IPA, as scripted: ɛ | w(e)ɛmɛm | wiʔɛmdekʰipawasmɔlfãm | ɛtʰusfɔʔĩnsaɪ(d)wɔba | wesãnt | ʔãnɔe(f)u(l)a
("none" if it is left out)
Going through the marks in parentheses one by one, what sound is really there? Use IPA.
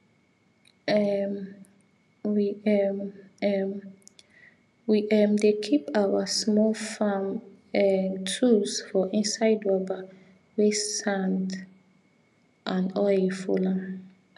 i, d, f, l

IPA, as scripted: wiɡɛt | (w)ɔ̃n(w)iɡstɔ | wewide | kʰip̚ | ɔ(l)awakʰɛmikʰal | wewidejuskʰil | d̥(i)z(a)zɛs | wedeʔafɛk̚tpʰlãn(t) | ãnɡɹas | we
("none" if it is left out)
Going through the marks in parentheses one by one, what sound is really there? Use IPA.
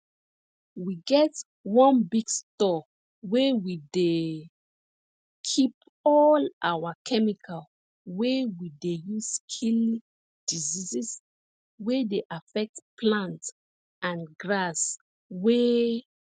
w, b, l, i, i, t

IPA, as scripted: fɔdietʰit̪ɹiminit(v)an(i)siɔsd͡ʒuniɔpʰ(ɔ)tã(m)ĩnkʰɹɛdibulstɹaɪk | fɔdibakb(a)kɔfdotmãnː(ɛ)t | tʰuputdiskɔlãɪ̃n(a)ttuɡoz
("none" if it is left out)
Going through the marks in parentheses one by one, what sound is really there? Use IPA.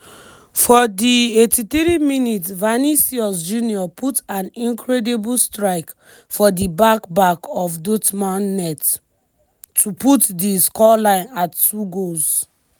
v, i, u, n, a, ɛ, a

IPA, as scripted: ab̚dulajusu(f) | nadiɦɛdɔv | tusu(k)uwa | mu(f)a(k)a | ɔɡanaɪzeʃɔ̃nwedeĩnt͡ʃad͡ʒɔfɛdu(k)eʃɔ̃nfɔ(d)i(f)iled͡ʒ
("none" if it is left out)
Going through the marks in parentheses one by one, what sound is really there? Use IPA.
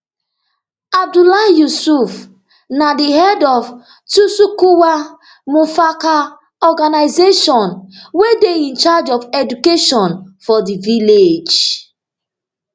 f, k, f, k, k, d, v

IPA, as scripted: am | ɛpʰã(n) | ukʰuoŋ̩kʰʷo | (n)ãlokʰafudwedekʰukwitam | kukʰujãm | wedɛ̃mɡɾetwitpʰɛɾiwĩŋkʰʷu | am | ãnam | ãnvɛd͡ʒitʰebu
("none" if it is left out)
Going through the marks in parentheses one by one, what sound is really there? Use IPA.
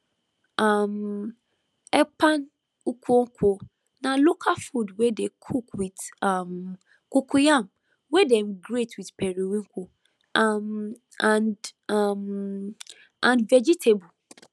n, n

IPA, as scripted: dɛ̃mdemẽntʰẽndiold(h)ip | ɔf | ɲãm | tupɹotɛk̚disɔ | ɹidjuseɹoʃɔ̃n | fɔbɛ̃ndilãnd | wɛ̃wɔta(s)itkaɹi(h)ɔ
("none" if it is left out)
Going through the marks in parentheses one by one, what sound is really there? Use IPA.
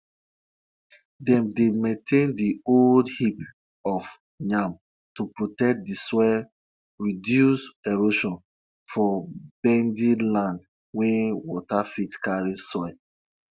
h, f, s

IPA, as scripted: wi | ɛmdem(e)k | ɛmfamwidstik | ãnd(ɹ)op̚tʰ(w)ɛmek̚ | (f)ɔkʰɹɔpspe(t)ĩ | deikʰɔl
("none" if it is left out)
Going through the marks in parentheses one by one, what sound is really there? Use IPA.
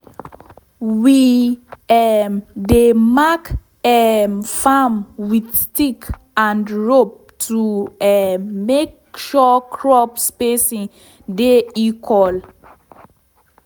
a, ɹ, u, ʃ, s

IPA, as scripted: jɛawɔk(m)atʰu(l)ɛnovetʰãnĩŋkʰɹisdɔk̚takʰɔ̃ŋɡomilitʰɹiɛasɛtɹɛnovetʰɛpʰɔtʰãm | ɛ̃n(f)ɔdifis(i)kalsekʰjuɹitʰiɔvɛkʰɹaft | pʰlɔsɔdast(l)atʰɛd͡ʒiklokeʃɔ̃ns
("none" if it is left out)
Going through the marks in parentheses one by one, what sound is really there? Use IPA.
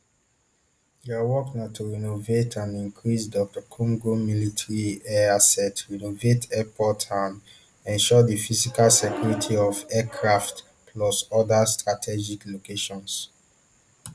n, ɹ, ʃ, i, ɹ

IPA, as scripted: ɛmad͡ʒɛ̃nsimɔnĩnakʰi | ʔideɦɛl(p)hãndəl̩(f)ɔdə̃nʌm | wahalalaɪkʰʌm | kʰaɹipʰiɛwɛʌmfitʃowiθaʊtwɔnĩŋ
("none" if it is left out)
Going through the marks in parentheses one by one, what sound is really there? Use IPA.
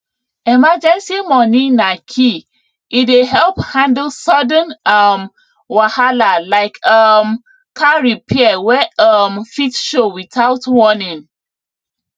p, s

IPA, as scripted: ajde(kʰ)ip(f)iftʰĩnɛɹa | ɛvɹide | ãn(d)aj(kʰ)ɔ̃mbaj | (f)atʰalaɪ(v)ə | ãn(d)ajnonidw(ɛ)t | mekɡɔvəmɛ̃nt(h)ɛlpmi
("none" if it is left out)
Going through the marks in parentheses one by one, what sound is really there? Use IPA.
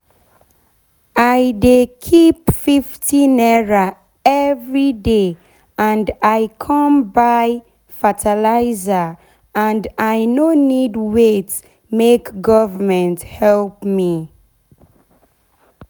kʰ, f, d, kʰ, f, z, d, e, h

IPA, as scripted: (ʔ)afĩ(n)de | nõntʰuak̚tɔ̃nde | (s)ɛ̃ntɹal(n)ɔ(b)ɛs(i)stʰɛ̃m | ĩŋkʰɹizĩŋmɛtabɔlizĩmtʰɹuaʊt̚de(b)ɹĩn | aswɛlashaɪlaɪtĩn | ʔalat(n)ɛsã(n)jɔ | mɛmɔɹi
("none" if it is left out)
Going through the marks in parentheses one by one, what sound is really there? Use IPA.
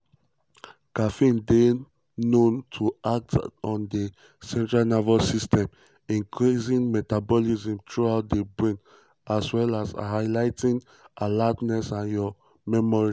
k, n, s, n, v, i, b, n, n

